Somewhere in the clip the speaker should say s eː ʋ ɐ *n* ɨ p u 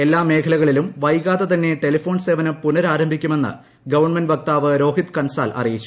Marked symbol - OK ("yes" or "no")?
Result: yes